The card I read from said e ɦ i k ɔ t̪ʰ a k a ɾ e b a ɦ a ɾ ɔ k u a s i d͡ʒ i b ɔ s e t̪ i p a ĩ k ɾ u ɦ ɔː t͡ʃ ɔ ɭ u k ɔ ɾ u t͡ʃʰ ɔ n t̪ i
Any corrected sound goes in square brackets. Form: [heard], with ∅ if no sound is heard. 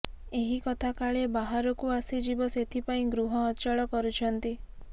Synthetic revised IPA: e ɦ i k ɔ t̪ʰ a k a [ɭ] e b a ɦ a ɾ ɔ k u a s i d͡ʒ i b ɔ s e [t̪ʰ] i p a ĩ [ɡ] ɾ u ɦ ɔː t͡ʃ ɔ ɭ [ɔ] k ɔ ɾ u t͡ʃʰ ɔ n t̪ i